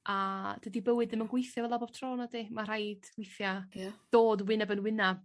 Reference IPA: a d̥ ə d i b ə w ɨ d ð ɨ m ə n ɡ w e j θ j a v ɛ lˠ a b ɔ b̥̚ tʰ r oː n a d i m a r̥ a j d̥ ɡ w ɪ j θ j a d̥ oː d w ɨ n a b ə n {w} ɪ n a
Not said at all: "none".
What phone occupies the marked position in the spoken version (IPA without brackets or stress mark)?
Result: w